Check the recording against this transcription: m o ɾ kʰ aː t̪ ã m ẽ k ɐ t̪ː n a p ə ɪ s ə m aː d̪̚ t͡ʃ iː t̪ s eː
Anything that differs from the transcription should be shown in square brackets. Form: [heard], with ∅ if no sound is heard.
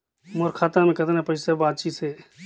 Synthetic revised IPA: m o ɾ kʰ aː t̪ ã m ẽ k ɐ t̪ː n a p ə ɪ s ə [b] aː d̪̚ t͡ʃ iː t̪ s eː